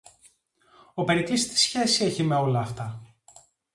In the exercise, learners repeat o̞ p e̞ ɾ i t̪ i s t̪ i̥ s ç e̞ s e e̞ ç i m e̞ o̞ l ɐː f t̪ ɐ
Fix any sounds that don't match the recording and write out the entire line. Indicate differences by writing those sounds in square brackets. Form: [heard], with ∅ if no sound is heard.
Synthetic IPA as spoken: o̞ p e̞ ɾ i t̪ i s t̪ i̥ s ç e̞ s [i] e̞ ç i m e̞ o̞ l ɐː f t̪ ɐ

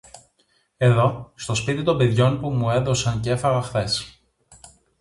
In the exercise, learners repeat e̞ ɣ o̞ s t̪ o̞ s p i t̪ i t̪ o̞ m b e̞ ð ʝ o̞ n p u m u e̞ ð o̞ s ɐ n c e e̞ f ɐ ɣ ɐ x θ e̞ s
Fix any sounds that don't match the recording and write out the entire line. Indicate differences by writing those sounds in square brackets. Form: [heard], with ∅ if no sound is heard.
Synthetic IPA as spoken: e̞ [ð] o̞ s t̪ o̞ s p i t̪ i t̪ o̞ m b e̞ ð ʝ o̞ n p u m u e̞ ð o̞ s ɐ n c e e̞ f ɐ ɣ ɐ x θ e̞ s

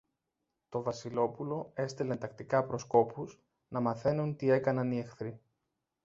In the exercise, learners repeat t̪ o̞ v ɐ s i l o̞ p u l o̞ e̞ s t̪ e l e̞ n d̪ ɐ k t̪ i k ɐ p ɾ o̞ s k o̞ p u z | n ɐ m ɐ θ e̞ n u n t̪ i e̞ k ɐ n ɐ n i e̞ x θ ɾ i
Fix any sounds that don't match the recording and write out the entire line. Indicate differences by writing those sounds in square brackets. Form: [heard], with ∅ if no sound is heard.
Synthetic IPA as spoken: t̪ o̞ v ɐ s i l o̞ p u l o̞ e̞ s t̪ e l e̞ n [t̪] ɐ k t̪ i k ɐ p ɾ o̞ s k o̞ p u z | n ɐ m ɐ θ e̞ n u n t̪ i e̞ k ɐ n ɐ n i e̞ x θ ɾ i

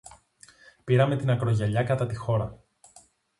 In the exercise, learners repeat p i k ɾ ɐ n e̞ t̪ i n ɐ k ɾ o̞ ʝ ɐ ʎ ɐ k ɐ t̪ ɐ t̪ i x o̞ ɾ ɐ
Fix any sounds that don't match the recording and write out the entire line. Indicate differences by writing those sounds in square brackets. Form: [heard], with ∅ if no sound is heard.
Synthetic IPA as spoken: p i [∅] ɾ ɐ [m] e̞ t̪ i n ɐ k ɾ o̞ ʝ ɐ ʎ ɐ k ɐ t̪ ɐ t̪ i x o̞ ɾ ɐ

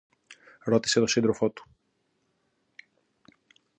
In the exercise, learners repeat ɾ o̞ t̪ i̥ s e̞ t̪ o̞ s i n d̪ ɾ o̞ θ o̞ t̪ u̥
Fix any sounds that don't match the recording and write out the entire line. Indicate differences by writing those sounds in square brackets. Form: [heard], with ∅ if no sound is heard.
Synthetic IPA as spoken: ɾ o̞ t̪ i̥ s e̞ t̪ o̞ s i n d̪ ɾ o̞ [f] o̞ t̪ u̥

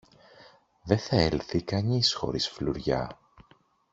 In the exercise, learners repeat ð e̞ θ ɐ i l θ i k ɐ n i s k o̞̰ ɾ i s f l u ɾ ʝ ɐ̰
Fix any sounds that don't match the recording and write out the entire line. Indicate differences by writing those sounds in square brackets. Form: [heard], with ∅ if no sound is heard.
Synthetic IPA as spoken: ð e̞ θ ɐ [e] l θ i k ɐ [ɲ] i s [x] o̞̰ ɾ i s f l u ɾ ʝ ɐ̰

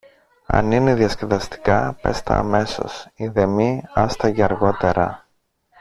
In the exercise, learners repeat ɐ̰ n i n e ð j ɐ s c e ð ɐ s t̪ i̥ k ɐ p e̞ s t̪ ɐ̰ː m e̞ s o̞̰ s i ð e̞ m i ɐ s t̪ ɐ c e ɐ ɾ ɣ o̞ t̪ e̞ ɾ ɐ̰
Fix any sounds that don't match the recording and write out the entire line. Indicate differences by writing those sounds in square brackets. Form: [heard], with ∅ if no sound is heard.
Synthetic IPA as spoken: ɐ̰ n i n e ð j ɐ s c e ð ɐ s t̪ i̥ k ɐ p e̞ s t̪ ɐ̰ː m e̞ s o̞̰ s i ð e̞ m i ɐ s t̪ ɐ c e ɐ ɾ ɣ o̞ t̪ e̞ ɾ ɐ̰

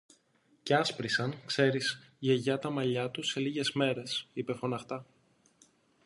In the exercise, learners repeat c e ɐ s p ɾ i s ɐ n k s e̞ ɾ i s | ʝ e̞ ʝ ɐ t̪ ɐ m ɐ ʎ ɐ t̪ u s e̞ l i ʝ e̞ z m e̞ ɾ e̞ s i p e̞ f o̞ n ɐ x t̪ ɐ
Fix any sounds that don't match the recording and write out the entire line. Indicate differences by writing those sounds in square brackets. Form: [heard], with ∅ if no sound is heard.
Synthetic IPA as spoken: c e ɐ s p ɾ i s ɐ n k s e̞ ɾ i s | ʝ e̞ ʝ ɐ t̪ ɐ m ɐ ʎ ɐ t̪ u s e̞ l i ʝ e̞ z m e̞ ɾ e̞ s i p e̞ f o̞ n ɐ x t̪ ɐ

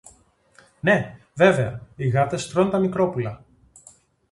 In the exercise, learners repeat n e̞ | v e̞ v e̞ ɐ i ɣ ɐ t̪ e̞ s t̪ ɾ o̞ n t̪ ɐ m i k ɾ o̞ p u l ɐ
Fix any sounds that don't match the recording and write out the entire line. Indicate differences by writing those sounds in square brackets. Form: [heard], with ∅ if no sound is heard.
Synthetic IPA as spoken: n e̞ | v e̞ v e̞ ɐ i ɣ ɐ t̪ e̞ s t̪ ɾ o̞ n t̪ ɐ m i k ɾ o̞ p u l ɐ

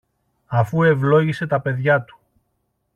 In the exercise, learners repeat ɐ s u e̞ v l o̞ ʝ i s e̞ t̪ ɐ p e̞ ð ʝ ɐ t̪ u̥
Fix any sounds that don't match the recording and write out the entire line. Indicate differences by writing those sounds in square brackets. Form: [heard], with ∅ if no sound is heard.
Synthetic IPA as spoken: ɐ [f] u e̞ v l o̞ ʝ i s e̞ t̪ ɐ p e̞ ð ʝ ɐ t̪ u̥

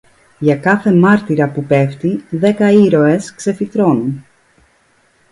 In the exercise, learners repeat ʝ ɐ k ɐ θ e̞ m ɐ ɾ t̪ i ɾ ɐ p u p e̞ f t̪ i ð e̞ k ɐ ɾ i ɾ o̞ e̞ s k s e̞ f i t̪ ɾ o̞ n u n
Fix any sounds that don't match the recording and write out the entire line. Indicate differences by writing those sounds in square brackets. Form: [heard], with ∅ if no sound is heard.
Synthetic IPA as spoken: ʝ ɐ k ɐ θ e̞ m ɐ ɾ t̪ i ɾ ɐ p u p e̞ f t̪ i ð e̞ k ɐ [∅] i ɾ o̞ e̞ s k s e̞ f i t̪ ɾ o̞ n u n

